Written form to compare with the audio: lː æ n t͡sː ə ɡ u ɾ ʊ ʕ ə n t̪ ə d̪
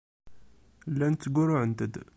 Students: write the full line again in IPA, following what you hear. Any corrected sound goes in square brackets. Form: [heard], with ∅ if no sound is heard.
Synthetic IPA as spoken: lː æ n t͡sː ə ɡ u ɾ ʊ ʕ ə n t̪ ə d̪